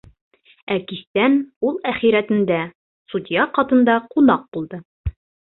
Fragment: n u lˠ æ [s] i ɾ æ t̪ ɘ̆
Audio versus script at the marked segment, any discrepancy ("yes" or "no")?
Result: yes